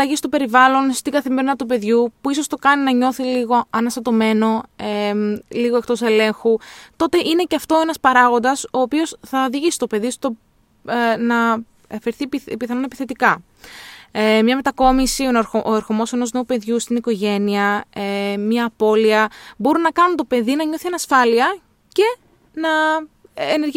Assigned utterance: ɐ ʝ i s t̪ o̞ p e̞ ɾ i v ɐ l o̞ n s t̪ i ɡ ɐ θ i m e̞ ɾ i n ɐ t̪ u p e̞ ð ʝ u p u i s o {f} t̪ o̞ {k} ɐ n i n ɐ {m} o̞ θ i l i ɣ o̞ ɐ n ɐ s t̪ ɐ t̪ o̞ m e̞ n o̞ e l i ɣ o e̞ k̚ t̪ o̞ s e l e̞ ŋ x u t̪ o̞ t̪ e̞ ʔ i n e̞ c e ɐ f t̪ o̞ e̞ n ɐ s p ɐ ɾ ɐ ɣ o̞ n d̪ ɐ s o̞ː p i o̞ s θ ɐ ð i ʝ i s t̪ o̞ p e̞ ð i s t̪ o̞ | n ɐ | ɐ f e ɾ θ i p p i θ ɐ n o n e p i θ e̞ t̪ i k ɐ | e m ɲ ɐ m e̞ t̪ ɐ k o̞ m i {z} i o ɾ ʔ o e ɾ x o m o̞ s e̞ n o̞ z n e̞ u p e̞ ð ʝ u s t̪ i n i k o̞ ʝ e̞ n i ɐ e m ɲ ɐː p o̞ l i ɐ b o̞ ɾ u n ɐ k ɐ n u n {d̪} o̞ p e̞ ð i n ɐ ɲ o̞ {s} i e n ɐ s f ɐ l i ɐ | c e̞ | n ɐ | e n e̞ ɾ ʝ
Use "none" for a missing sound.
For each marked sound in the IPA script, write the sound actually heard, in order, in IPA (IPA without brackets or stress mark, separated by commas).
s, k, ɲ, s, t̪, θ